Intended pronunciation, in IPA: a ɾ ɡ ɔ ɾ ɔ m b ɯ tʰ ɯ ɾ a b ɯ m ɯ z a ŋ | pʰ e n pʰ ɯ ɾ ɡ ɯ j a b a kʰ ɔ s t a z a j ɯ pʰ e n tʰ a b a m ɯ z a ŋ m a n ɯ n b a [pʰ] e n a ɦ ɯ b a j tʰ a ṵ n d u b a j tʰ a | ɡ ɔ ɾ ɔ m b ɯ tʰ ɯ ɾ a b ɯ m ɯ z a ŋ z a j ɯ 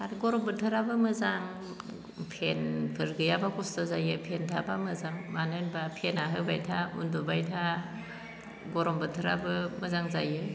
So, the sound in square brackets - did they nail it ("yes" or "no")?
yes